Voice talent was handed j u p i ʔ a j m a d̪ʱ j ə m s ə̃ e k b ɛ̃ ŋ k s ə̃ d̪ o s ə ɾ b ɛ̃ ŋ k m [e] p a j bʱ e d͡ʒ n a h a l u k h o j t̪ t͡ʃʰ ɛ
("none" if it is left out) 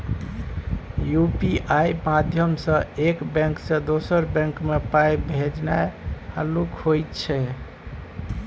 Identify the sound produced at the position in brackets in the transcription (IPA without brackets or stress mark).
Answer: e